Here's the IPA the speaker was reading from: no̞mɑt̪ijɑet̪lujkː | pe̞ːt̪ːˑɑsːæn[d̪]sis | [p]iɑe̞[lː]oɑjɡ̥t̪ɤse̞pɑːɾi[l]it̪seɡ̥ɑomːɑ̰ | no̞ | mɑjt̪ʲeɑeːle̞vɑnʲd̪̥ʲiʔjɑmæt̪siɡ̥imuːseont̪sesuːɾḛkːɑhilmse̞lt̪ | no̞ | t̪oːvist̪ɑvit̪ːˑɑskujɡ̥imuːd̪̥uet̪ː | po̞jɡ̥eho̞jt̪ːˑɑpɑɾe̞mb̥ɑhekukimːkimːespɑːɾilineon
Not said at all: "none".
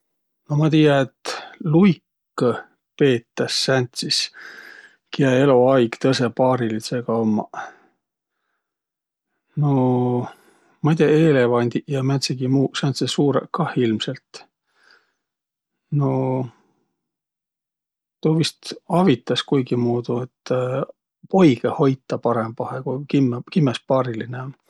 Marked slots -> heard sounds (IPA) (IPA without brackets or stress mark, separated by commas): t̪, k, l, l